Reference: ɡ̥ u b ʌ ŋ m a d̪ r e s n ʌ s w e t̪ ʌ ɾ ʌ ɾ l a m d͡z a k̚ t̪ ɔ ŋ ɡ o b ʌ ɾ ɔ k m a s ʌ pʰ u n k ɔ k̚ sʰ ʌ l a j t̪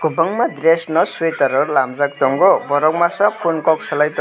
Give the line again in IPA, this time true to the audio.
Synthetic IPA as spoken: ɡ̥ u b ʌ ŋ m a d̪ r e s n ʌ s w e t̪ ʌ ɾ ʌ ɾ l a m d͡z a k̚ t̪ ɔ ŋ ɡ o b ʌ ɾ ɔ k m a s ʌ pʰ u n k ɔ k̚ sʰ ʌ l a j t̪